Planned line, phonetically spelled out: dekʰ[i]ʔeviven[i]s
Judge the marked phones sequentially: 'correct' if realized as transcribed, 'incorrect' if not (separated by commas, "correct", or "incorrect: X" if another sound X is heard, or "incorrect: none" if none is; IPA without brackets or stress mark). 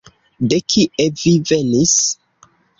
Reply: correct, correct